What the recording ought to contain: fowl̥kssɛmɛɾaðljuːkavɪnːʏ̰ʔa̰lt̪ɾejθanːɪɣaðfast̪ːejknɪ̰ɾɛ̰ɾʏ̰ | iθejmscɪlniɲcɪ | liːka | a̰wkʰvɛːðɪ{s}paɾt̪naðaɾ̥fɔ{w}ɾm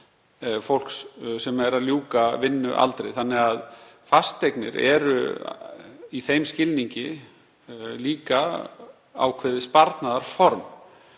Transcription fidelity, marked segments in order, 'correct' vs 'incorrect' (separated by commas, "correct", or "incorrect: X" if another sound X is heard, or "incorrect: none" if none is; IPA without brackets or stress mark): correct, incorrect: none